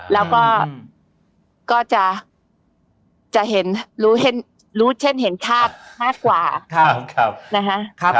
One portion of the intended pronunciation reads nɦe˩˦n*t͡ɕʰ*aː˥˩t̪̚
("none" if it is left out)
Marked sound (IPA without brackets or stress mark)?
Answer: t͡ɕʰ